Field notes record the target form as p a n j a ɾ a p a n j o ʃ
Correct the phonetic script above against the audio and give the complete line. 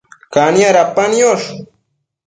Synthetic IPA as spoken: k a n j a ɾ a p a n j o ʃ